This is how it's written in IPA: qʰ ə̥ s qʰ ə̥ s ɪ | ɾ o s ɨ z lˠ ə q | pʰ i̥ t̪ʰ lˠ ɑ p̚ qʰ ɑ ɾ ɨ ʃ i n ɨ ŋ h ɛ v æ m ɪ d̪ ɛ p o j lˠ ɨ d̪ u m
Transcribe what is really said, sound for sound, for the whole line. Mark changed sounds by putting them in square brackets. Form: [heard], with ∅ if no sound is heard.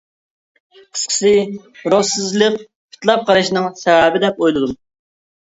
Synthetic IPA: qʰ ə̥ s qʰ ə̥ s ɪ | ɾ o s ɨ z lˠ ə q | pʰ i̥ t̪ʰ lˠ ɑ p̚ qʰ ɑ ɾ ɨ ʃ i n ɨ ŋ [s] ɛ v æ [b] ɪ d̪ ɛ p o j lˠ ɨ d̪ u m

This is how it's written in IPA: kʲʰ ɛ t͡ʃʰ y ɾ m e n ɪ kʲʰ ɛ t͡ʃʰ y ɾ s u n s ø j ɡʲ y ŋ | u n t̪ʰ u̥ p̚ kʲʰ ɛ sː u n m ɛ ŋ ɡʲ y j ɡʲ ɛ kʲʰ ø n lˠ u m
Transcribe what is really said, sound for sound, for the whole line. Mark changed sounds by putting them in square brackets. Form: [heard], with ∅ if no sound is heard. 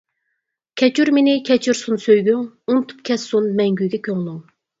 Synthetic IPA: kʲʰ ɛ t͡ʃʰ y ɾ m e n ɪ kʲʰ ɛ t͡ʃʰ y ɾ s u n s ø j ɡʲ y ŋ | u n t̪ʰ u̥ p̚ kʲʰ ɛ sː u n m ɛ ŋ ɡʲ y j ɡʲ ɛ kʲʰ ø [ŋ] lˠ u [ŋ]

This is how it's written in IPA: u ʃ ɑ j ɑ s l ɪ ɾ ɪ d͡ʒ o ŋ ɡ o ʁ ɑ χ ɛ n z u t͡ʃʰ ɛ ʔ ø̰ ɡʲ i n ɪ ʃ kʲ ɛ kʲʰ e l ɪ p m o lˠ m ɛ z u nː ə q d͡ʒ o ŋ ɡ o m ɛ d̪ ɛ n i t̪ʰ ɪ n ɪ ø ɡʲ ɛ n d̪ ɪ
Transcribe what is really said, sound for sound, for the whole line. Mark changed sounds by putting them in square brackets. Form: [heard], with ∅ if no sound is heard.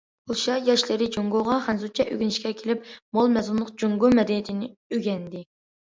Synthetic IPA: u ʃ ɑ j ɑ [ʃ] l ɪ ɾ ɪ d͡ʒ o ŋ ɡ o ʁ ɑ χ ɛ n z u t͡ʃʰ ɛ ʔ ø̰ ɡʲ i n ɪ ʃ kʲ ɛ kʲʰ e l ɪ p m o lˠ m ɛ z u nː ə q d͡ʒ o ŋ ɡ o m ɛ d̪ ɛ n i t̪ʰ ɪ n ɪ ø ɡʲ ɛ n d̪ ɪ

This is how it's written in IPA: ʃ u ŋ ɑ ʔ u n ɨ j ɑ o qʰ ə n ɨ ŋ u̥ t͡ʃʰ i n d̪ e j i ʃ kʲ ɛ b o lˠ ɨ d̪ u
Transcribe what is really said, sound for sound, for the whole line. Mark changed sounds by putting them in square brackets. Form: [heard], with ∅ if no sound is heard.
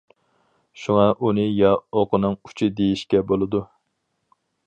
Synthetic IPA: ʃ u ŋ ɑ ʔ u n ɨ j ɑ o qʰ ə n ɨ ŋ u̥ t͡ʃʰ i [∅] d̪ e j i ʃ kʲ ɛ b o lˠ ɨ d̪ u

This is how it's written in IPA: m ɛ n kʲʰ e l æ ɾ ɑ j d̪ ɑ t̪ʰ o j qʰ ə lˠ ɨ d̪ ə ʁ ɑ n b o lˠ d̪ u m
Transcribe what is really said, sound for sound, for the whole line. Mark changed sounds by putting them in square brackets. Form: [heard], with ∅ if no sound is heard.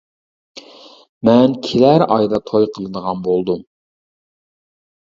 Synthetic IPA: m ɛ n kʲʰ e l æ ɾ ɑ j d̪ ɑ t̪ʰ o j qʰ ə lˠ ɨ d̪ ə ʁ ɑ n b o lˠ d̪ u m

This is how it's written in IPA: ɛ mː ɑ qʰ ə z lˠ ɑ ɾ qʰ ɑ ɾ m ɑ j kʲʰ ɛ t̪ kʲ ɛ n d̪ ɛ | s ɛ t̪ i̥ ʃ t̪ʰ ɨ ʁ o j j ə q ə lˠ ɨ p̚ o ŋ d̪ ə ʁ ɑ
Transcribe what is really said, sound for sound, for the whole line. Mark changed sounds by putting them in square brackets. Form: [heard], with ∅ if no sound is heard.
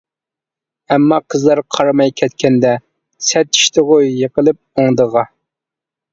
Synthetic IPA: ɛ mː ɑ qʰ ə z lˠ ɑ ɾ qʰ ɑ ɾ m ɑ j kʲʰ ɛ t̪ kʲ ɛ n d̪ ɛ | s ɛ t̪ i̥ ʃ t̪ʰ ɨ ʁ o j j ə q ə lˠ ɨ p̚ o ŋ d̪ ə ʁ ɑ

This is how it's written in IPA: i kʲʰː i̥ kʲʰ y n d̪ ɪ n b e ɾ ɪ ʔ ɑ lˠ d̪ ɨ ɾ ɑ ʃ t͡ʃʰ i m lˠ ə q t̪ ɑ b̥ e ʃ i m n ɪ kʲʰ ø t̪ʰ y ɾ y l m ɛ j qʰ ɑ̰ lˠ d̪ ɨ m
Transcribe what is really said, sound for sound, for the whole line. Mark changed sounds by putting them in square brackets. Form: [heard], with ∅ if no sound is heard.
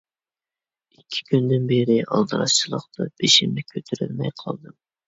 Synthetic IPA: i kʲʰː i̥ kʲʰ y n d̪ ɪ n b e ɾ ɪ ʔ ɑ lˠ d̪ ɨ ɾ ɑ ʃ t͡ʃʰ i [∅] lˠ ə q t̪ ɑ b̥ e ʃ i m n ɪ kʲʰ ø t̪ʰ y ɾ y l m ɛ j qʰ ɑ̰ lˠ d̪ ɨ m

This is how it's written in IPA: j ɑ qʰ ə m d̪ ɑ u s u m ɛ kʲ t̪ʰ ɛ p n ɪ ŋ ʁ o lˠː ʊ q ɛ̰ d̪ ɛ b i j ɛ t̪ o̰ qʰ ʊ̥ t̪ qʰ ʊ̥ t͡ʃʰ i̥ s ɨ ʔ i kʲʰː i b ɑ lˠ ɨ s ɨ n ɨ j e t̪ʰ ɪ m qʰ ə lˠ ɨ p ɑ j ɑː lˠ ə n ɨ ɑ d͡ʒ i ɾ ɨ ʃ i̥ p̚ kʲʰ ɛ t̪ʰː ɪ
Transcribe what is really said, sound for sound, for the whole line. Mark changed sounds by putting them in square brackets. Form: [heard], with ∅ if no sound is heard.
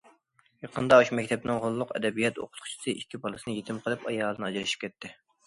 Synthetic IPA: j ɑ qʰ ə [n] d̪ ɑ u [ʃ] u m ɛ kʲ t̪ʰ ɛ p n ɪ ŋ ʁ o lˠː ʊ q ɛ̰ d̪ ɛ b i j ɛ t̪ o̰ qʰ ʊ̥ t̪ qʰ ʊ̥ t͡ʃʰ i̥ s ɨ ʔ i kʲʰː i b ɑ lˠ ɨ s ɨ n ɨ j e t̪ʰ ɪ m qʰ ə lˠ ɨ p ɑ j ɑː lˠ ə n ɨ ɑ d͡ʒ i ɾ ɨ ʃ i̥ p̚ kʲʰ ɛ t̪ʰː ɪ

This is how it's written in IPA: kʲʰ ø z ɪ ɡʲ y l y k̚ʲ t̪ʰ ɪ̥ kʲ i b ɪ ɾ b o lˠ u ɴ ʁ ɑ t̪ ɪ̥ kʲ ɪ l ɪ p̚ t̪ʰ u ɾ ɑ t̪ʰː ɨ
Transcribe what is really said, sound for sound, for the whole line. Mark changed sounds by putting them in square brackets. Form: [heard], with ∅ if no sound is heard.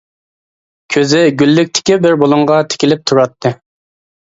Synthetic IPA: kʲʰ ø z ɪ ɡʲ y [lː] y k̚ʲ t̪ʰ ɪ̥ kʲ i b ɪ ɾ b o lˠ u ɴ ʁ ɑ [t̪ʰ] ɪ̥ kʲ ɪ l ɪ p̚ t̪ʰ u ɾ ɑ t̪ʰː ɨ

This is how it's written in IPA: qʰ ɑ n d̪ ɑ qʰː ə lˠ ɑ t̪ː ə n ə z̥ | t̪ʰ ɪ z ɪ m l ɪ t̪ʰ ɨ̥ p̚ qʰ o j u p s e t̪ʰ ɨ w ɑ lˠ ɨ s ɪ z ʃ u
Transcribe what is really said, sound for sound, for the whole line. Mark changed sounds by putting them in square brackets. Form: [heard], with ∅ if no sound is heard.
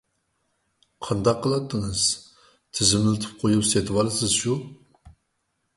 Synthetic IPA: qʰ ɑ n d̪ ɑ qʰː ə lˠ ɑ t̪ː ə [ŋ] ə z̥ | t̪ʰ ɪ z ɪ m l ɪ t̪ʰ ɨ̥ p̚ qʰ o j u p s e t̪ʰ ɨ w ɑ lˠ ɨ s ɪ z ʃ u

